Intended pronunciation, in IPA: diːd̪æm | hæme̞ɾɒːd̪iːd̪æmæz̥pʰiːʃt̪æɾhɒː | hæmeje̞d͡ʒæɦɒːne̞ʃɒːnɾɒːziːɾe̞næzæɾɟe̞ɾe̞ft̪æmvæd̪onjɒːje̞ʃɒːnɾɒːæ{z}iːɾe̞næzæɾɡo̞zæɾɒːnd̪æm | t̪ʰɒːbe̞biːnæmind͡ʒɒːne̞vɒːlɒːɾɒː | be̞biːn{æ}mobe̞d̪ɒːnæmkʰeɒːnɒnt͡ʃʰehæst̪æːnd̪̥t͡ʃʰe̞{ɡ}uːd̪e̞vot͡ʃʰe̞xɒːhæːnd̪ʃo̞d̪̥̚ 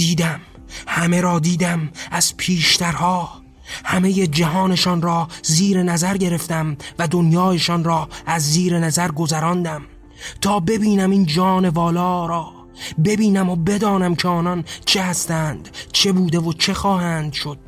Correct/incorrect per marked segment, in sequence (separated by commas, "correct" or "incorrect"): incorrect, correct, incorrect